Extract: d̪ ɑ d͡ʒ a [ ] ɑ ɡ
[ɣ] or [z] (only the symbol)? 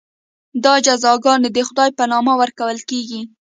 z